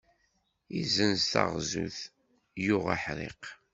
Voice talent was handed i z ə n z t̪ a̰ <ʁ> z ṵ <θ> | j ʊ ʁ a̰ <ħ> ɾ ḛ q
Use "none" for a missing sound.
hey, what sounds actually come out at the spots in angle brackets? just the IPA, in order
ʁ, θ, ħ

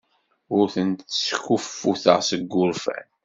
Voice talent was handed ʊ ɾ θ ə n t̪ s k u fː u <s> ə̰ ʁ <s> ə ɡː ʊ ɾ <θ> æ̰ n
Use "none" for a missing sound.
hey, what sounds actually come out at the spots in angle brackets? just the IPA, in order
θ, s, f

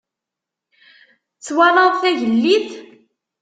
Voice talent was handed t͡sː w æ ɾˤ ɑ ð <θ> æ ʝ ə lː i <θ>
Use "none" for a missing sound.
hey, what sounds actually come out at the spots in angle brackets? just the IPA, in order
θ, θ

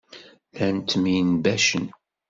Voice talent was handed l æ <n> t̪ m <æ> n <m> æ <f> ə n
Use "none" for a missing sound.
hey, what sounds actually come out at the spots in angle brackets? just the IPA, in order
n, i, b, ʃ

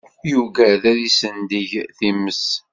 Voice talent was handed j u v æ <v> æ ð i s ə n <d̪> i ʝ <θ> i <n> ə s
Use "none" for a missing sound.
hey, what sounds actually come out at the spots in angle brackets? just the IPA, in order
ð, d̪, θ, m

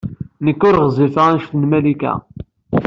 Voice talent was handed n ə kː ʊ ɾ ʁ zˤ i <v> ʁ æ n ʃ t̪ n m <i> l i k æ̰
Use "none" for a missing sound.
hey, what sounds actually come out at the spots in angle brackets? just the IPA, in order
f, æ

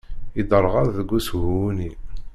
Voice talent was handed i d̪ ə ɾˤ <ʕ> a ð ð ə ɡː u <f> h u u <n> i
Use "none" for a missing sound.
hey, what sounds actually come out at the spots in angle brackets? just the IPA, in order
ʁ, s, n

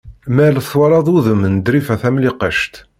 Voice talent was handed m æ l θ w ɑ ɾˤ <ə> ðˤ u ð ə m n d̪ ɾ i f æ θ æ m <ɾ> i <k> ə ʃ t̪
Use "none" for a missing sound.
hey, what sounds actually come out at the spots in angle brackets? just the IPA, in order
ɑ, l, q

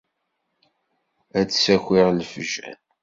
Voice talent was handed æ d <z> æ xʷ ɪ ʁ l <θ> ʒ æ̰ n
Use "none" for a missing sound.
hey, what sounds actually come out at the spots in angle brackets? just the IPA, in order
s, f

